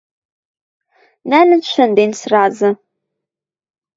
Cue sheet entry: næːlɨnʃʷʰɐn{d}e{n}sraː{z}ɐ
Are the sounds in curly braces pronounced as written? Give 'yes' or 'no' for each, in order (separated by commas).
yes, yes, yes